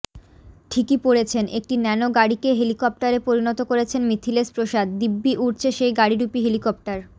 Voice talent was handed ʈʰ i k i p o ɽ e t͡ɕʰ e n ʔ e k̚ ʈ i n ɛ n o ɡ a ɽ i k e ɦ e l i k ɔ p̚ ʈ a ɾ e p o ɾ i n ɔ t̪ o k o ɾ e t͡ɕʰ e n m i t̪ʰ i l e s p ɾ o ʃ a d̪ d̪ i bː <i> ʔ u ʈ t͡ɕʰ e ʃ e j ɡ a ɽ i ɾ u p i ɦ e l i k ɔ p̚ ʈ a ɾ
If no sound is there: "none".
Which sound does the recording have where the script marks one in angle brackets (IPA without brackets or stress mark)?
i